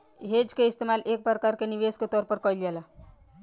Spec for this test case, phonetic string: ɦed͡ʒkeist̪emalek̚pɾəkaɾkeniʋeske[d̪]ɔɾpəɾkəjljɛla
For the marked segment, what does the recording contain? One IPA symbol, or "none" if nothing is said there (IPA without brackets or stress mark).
t̪